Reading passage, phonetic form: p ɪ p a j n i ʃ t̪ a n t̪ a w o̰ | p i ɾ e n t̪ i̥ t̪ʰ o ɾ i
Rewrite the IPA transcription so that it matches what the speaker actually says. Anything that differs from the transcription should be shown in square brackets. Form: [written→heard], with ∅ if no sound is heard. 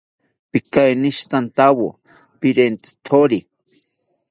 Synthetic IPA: p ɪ [p→k] a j n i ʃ t̪ a n t̪ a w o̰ | p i ɾ e n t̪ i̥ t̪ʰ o ɾ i